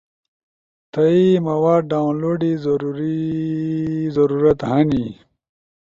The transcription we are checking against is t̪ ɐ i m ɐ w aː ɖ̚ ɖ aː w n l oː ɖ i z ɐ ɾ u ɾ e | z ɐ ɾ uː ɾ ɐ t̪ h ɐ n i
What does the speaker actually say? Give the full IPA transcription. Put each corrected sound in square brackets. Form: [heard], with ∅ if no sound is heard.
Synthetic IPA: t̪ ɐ i m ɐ w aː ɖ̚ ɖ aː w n l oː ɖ i z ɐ ɾ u ɾ [i] | z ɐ ɾ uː ɾ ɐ t̪ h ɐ n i